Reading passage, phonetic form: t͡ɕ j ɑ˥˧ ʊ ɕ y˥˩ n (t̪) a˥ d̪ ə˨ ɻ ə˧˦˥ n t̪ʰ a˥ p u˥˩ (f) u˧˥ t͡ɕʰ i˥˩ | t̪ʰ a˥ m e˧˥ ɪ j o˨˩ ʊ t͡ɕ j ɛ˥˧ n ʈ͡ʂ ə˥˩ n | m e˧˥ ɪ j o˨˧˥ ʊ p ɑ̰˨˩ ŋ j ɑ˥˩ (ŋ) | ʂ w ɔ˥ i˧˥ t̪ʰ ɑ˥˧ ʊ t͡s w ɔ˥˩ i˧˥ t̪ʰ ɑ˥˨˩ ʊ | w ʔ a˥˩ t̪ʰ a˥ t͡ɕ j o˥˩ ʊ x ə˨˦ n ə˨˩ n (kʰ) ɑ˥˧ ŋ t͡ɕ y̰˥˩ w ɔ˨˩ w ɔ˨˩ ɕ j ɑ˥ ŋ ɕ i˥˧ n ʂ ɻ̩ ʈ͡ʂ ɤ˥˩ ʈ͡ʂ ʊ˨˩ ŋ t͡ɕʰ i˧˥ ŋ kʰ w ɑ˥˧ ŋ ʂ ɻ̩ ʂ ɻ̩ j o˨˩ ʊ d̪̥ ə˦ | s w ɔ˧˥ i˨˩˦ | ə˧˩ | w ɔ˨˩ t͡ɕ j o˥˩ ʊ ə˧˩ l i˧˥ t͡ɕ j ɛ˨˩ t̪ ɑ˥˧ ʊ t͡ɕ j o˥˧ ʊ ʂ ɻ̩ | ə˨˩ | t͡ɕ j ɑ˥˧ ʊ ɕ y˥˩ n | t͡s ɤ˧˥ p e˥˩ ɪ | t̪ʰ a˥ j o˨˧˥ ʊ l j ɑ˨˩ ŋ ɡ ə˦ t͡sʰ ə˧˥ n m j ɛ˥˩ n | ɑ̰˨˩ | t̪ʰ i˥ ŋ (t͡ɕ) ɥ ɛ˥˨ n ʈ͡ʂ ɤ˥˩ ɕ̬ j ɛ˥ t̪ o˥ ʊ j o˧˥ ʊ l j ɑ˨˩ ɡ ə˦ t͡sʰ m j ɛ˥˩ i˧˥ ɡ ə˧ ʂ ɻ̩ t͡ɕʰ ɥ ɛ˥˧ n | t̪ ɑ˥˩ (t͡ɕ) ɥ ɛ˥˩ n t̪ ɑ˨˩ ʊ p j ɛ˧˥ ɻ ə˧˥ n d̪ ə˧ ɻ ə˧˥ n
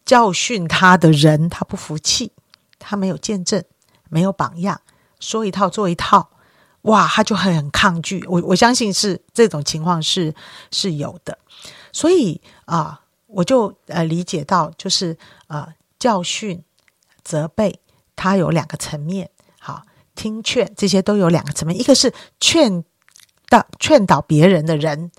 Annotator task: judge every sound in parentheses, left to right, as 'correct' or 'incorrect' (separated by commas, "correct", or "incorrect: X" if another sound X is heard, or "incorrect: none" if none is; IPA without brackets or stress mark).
incorrect: t̪ʰ, correct, correct, correct, incorrect: t͡ɕʰ, incorrect: t͡ɕʰ